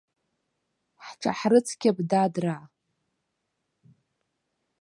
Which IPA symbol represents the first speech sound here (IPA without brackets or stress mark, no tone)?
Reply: ħ